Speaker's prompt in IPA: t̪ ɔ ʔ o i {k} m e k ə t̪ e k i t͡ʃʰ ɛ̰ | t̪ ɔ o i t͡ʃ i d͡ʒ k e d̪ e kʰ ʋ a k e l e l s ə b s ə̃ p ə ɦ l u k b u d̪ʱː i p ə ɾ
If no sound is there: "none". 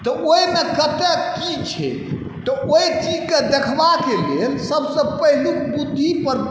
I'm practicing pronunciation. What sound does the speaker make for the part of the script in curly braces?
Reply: none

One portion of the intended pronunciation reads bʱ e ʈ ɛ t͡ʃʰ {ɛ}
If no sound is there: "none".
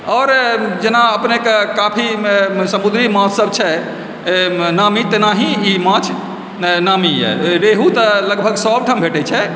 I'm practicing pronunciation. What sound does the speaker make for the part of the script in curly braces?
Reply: ɛ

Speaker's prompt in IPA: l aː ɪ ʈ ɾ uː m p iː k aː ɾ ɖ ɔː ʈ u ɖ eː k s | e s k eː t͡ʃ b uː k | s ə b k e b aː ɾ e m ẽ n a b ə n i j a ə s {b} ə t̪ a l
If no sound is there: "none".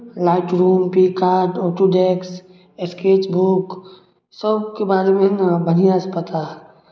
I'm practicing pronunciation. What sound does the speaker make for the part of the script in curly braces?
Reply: p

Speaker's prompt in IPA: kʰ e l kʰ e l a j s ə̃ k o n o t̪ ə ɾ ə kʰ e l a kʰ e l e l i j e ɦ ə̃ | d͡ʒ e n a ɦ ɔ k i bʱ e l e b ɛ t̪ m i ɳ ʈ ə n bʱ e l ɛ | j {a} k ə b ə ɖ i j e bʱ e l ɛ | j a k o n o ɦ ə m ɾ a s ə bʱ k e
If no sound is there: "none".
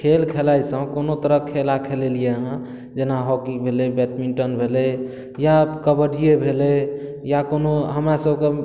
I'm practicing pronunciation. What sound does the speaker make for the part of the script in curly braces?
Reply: a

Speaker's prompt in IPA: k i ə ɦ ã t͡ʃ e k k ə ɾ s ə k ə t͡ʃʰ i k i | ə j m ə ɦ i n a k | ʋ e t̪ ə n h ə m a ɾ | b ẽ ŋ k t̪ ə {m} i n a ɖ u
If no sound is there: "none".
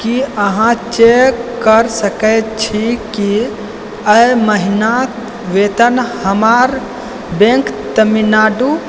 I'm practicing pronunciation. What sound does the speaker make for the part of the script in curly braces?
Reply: m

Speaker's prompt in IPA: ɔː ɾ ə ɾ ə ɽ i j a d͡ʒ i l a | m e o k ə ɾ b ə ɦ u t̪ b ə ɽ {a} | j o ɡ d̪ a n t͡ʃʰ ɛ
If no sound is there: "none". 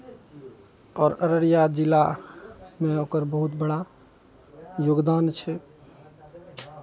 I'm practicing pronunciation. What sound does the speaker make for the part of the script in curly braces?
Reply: a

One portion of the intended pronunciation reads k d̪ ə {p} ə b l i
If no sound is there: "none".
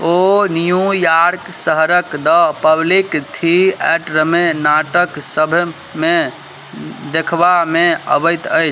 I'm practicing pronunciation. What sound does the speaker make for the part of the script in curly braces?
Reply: p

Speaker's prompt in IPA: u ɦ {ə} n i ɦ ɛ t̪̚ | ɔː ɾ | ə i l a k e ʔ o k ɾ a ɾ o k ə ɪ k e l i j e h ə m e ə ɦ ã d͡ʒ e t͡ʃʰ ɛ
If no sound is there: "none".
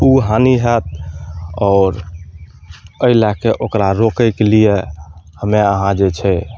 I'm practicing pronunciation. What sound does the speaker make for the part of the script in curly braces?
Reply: a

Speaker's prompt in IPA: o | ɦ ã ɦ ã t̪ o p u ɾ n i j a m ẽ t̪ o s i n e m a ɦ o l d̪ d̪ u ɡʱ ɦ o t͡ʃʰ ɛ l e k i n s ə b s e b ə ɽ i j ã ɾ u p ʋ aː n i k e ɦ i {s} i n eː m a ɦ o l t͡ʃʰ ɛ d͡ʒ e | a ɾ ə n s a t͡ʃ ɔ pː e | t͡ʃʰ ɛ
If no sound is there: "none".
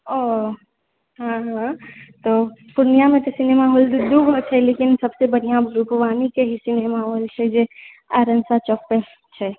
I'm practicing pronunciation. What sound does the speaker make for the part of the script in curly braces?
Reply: s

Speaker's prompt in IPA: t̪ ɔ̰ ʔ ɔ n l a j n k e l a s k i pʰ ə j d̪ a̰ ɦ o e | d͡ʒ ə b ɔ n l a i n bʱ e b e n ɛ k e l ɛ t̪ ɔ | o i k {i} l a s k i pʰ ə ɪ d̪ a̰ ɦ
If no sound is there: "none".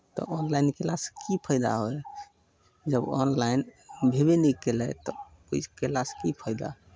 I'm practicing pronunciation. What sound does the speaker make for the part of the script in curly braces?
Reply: e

